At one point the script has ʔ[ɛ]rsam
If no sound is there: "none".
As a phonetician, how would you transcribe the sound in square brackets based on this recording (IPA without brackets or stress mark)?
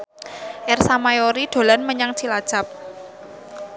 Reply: ɛ